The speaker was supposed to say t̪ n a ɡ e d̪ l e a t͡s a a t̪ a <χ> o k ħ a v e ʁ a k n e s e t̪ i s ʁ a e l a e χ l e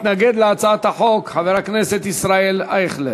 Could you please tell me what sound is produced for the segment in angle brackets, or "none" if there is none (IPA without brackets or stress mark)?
ħ